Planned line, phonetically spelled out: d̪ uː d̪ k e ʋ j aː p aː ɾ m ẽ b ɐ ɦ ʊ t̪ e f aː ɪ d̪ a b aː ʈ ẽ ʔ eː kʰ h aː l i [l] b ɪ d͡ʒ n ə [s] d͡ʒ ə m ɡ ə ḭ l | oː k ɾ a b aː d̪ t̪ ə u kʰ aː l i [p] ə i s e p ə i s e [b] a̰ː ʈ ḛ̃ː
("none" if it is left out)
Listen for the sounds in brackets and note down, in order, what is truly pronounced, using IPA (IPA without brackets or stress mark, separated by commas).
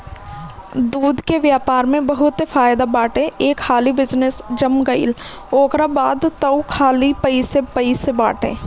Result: none, s, p, b